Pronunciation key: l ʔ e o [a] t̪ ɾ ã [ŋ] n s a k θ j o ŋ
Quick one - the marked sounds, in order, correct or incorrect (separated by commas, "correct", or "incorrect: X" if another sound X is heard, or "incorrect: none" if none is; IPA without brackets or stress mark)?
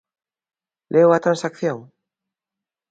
correct, incorrect: none